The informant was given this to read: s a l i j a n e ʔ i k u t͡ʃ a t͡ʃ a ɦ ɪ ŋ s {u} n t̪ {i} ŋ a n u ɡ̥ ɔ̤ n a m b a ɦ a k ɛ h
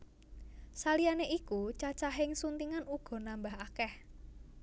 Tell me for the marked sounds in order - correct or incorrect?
correct, correct

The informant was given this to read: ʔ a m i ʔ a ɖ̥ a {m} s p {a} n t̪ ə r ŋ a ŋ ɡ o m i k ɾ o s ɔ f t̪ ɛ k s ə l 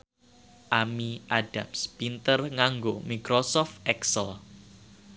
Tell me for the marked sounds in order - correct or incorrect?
correct, incorrect

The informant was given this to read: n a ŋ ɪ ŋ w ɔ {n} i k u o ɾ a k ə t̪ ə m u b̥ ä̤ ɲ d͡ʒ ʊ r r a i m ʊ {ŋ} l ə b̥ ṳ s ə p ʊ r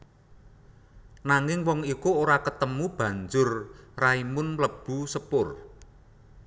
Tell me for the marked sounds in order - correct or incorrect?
incorrect, incorrect

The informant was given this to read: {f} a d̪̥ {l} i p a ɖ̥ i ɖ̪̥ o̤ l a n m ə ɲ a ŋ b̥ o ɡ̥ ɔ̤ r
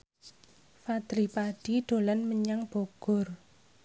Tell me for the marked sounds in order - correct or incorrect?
correct, incorrect

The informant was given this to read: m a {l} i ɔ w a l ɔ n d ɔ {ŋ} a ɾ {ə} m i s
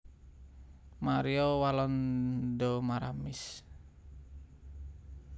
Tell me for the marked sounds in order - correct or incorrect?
incorrect, incorrect, incorrect

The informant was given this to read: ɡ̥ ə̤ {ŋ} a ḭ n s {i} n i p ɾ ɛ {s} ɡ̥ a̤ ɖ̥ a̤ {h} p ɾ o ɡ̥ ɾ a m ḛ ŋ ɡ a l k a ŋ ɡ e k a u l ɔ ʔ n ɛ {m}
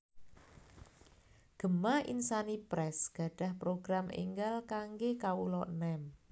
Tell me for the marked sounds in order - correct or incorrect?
incorrect, incorrect, correct, correct, correct

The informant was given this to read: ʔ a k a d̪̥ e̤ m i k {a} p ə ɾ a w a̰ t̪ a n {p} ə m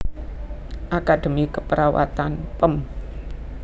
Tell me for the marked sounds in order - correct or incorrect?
incorrect, correct

